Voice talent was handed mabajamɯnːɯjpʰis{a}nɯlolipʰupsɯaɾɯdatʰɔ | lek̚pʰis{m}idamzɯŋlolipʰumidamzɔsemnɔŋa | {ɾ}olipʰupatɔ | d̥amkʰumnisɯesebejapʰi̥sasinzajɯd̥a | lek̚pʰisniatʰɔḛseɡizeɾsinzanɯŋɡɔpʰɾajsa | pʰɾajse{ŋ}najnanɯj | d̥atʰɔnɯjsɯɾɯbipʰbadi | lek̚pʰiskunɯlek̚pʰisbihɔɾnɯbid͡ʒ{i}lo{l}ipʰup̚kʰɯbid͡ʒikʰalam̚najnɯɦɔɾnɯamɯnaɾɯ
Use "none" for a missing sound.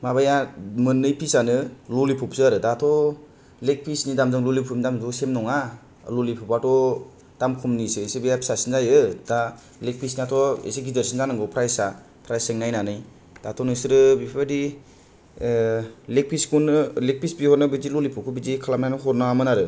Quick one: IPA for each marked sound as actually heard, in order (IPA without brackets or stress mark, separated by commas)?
a, n, l, ŋ, i, l